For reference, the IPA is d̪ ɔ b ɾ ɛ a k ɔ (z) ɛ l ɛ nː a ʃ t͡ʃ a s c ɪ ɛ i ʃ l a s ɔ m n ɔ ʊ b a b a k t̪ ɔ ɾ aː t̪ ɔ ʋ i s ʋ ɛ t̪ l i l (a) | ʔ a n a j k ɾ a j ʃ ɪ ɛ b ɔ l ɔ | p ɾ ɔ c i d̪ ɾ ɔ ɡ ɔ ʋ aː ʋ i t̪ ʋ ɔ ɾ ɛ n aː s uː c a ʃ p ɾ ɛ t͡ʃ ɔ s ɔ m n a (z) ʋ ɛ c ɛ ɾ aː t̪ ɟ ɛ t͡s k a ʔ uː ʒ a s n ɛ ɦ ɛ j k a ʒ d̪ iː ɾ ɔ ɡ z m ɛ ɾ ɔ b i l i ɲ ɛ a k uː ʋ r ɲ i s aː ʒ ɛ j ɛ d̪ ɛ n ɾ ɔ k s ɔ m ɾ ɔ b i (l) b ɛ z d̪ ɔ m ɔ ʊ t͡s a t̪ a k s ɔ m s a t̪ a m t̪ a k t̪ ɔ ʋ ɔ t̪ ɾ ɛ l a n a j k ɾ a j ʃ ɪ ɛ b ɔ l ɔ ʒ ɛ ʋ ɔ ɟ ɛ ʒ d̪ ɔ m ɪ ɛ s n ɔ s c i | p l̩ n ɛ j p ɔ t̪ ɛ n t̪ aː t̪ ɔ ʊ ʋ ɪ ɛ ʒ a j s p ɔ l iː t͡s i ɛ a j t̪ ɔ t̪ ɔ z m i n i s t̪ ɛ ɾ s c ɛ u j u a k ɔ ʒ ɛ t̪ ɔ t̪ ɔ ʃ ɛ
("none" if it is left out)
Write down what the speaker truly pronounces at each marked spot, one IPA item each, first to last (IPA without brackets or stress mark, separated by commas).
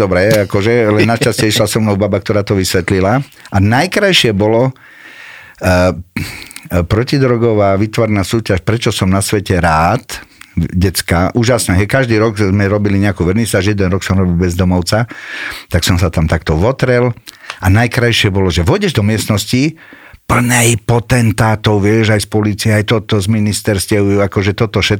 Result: ʒ, a, s, l